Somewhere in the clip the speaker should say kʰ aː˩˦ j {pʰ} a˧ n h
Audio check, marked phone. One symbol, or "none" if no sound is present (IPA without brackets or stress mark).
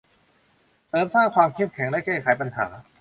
p